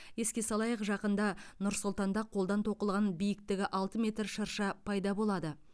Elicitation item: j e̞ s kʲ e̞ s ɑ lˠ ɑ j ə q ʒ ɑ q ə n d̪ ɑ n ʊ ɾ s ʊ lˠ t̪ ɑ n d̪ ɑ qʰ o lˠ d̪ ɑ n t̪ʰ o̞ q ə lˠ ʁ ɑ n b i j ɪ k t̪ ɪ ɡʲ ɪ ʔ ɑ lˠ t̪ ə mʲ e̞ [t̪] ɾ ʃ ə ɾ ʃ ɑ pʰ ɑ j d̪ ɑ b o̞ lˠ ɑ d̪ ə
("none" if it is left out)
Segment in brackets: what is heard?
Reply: t̪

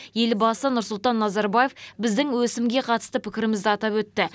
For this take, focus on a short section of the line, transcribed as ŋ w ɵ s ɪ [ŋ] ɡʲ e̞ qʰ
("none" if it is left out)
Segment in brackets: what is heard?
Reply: m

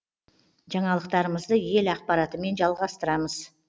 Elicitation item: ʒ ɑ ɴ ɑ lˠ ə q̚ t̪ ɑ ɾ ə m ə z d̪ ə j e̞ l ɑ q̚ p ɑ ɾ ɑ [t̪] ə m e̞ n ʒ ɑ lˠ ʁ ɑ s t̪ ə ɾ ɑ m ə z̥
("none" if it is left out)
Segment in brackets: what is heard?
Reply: t̪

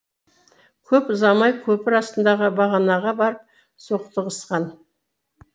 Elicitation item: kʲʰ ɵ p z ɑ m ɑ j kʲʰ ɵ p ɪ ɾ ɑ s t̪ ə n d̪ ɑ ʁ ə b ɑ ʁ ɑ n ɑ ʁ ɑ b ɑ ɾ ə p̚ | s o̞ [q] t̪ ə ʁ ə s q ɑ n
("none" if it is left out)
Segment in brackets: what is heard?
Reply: q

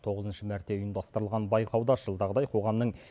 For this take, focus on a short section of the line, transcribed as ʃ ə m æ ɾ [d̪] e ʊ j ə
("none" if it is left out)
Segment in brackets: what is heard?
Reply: t̪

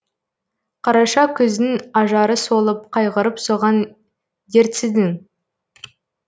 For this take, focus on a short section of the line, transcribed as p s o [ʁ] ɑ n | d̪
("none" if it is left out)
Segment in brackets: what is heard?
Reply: ʁ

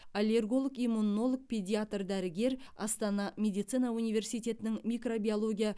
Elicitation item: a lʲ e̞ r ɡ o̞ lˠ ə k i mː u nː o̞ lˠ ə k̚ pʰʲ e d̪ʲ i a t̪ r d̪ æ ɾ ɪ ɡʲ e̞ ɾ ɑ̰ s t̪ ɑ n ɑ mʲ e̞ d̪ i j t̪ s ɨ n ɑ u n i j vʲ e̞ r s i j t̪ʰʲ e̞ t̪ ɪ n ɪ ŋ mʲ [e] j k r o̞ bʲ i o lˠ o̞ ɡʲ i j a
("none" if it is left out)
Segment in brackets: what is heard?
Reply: i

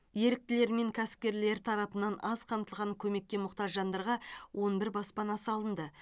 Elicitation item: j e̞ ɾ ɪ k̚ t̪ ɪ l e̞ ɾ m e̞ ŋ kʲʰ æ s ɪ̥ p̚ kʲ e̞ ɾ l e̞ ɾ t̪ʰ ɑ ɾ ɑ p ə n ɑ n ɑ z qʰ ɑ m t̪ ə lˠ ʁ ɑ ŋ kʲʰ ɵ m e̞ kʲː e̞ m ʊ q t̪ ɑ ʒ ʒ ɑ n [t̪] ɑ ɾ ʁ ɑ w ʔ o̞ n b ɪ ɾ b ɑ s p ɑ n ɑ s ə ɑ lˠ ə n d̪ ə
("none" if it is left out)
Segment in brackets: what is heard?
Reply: d̪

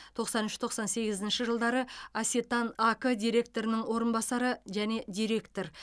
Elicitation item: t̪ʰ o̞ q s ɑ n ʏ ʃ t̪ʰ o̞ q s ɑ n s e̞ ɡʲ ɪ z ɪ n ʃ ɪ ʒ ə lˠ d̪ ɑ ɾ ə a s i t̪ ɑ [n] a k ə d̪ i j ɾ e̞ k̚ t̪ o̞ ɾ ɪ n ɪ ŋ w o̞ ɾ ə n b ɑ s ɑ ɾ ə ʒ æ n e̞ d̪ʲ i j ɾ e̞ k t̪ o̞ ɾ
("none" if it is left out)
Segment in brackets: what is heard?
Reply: n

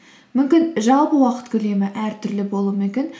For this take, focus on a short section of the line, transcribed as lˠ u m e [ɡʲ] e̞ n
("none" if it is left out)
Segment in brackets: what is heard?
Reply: kʲ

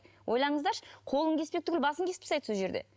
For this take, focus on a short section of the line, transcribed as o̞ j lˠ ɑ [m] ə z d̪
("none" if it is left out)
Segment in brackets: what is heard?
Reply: ɴ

